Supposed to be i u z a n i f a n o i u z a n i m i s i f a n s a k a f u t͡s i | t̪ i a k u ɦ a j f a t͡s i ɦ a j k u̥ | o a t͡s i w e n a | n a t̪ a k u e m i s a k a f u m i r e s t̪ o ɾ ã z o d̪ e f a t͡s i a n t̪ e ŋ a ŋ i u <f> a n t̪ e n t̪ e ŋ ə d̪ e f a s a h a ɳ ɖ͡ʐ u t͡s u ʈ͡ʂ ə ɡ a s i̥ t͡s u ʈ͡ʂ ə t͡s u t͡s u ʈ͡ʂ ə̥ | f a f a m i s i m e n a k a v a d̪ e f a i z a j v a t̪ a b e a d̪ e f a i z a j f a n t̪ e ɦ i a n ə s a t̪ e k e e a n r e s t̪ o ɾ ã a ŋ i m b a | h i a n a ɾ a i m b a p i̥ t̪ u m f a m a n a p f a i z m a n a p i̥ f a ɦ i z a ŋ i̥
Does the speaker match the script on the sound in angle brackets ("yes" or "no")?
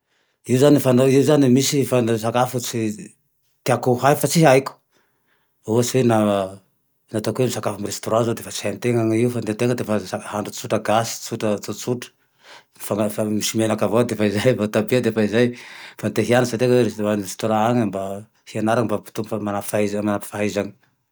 yes